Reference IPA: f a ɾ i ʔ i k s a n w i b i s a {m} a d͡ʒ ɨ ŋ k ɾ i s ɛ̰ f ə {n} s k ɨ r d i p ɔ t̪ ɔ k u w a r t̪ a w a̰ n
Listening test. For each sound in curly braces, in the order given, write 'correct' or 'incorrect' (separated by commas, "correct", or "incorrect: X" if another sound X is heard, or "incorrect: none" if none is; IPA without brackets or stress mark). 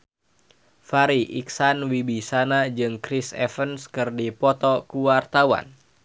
incorrect: n, correct